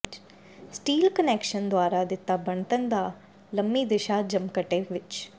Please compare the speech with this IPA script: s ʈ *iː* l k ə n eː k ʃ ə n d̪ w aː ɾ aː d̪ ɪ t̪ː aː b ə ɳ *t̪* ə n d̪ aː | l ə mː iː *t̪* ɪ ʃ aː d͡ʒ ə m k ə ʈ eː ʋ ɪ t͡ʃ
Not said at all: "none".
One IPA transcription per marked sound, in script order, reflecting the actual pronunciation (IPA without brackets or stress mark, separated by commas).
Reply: iː, t̪, d̪